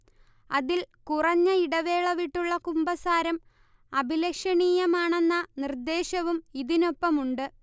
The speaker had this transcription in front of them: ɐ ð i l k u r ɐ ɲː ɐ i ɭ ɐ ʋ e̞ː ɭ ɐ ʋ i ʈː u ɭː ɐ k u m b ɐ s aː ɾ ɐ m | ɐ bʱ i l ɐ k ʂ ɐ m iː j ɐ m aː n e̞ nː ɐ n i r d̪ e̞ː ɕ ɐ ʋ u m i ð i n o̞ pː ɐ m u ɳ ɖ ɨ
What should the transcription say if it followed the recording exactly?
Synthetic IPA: ɐ ð i l k u r ɐ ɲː ɐ i ɽ ɐ ʋ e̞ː ɭ ɐ ʋ i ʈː u ɭː ɐ k u m b ɐ s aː ɾ ɐ m | ɐ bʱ i l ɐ k ʂ ɐ ɳ iː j ɐ m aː ɳ e̞ nː ɐ n i r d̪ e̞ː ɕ ɐ ʋ u m i ð i n o̞ pː ɐ m u ɳ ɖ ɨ